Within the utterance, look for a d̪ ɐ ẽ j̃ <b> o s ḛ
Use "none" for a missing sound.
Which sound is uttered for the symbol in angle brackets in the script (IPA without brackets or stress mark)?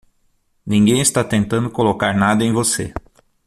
v